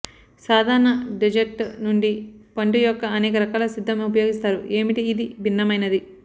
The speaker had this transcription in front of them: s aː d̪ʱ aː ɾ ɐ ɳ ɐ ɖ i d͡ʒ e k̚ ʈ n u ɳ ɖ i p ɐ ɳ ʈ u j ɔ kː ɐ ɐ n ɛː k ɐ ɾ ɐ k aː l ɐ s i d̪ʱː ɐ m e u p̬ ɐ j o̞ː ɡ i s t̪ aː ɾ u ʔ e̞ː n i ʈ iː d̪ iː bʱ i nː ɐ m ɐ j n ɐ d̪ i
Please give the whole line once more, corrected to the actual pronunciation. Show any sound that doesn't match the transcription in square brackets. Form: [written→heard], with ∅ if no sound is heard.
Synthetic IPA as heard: s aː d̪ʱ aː ɾ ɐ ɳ ɐ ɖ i d͡ʒ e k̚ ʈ n u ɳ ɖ i p ɐ ɳ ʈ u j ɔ kː ɐ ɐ n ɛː k ɐ ɾ ɐ k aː l ɐ s i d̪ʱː ɐ m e u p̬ ɐ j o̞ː ɡ i s t̪ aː ɾ u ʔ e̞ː [n→m] i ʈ iː d̪ [iː→i] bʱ i nː ɐ m ɐ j n ɐ d̪ i